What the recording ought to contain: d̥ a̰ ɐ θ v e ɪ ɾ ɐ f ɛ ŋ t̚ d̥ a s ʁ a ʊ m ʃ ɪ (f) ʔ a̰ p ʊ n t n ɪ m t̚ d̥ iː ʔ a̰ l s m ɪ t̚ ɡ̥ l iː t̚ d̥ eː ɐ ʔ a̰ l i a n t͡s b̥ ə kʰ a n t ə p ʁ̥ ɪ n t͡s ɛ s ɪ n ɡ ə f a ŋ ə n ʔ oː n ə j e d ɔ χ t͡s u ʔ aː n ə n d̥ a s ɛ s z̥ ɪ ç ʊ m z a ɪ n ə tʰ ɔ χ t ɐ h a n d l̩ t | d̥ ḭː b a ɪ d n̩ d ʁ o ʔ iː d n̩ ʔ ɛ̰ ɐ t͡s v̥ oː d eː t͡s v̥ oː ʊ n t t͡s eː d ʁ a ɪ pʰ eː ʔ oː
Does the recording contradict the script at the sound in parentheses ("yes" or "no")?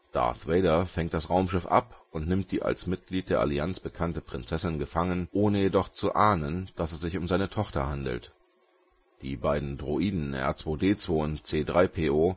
no